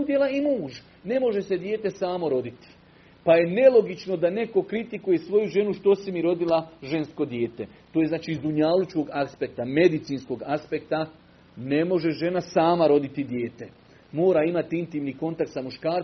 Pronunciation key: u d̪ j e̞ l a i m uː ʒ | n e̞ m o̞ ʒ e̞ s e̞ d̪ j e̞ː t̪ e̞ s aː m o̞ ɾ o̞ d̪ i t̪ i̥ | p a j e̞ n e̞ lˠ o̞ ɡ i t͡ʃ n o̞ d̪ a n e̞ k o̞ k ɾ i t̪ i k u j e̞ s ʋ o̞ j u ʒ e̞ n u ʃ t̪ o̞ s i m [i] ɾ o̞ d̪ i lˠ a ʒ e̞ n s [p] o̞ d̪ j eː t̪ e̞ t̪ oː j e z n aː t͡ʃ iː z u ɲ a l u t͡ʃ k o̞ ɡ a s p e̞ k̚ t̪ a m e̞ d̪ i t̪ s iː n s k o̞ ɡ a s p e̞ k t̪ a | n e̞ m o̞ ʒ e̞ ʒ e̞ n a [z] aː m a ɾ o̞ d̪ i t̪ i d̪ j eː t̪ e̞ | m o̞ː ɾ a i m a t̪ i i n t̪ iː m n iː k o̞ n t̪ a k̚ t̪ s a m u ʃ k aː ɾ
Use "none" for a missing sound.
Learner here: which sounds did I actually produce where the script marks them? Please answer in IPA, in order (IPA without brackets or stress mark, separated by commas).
i, k, s